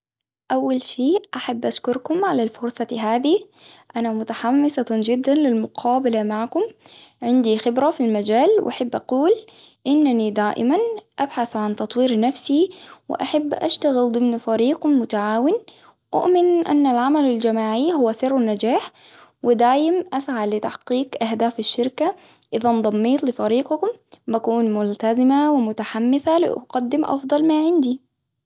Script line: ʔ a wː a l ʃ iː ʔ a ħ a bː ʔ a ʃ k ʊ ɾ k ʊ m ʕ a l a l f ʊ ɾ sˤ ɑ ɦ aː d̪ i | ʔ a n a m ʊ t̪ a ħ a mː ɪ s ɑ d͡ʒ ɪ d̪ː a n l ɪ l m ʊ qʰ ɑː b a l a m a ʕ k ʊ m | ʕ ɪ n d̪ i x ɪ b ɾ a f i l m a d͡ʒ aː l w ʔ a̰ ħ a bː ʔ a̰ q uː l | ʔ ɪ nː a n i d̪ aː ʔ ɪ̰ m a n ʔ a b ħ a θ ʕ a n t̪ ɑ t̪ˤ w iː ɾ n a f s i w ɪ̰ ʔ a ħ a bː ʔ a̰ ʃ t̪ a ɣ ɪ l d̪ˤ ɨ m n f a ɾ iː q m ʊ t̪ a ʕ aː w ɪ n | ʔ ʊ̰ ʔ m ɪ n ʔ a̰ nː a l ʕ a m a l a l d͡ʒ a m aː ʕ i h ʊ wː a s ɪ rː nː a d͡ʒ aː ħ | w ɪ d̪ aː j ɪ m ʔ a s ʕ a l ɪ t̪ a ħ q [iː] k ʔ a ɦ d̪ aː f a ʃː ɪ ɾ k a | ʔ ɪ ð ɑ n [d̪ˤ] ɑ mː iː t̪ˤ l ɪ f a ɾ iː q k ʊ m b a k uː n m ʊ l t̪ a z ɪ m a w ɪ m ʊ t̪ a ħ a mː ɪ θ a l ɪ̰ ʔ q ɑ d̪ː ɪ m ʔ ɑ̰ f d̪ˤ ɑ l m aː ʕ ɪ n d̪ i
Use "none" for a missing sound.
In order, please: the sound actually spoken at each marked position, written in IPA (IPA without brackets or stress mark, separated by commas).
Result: iː, d̪ˤ